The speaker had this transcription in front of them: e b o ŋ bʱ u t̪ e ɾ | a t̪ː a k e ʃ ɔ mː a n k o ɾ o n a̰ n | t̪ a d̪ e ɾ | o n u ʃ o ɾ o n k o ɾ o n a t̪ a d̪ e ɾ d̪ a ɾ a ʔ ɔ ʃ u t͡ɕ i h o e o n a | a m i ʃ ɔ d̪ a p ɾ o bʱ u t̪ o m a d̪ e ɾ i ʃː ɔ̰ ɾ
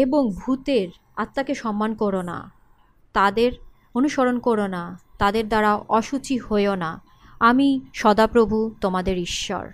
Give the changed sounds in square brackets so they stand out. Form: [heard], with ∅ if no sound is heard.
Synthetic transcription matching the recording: e b o ŋ bʱ u t̪ e ɾ | a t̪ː a k e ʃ ɔ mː a n k o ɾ o n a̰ [∅] | t̪ a d̪ e ɾ | o n u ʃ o ɾ o n k o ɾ o n a t̪ a d̪ e ɾ d̪ a ɾ a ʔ ɔ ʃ u t͡ɕ i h o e o n a | a m i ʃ ɔ d̪ a p ɾ o bʱ u t̪ o m a d̪ e ɾ i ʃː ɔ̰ ɾ